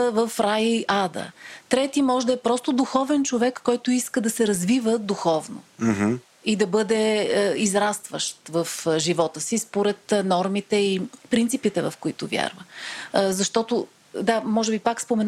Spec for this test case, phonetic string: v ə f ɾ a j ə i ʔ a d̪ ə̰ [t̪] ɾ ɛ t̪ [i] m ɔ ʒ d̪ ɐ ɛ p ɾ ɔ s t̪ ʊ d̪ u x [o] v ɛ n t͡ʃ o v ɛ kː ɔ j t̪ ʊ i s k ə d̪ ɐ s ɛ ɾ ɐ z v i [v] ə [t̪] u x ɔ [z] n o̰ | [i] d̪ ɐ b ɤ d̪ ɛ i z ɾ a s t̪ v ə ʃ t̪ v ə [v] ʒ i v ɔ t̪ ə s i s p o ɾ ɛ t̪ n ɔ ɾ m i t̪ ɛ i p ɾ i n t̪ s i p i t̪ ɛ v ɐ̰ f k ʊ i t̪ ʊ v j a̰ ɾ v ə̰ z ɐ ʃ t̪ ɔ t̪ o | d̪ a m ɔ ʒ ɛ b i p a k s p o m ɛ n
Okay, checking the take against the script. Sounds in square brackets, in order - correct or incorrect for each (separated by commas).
correct, correct, incorrect, correct, incorrect, incorrect, correct, incorrect